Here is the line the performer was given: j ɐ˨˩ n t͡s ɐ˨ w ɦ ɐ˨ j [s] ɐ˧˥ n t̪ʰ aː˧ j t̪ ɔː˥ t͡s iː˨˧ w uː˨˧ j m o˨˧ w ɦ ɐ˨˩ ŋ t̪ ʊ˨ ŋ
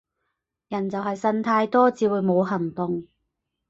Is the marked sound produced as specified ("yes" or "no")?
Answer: yes